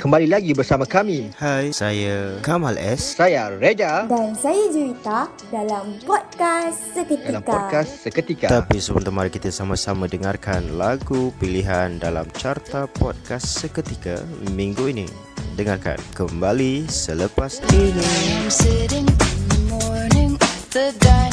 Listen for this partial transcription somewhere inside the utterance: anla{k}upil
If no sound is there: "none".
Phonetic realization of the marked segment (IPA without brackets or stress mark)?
ɡ